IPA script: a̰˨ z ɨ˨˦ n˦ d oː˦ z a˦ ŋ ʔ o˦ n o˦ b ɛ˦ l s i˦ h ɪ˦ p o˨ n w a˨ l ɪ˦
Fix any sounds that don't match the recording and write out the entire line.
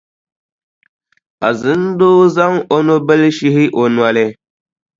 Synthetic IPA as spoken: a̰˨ z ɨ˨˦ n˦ d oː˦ z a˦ ŋ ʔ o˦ n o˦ b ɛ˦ l ʃ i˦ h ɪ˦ ʔ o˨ n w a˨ l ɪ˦